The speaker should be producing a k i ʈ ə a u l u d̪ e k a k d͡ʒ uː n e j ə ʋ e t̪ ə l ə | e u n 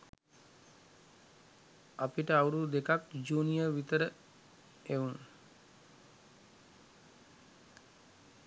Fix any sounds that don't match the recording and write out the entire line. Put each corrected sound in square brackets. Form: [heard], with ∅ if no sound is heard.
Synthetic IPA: a [p] i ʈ ə a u [ɾ] u d̪ e k a k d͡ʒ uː n [i] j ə ʋ [i] t̪ ə [ɾ] ə | e u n